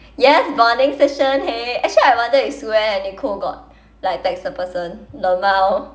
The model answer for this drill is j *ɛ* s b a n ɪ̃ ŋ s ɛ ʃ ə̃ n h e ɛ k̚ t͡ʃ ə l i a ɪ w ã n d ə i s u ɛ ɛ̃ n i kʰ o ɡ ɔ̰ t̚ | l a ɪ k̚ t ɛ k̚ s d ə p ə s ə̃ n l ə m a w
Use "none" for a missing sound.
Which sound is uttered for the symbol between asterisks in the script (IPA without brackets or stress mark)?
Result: ɛ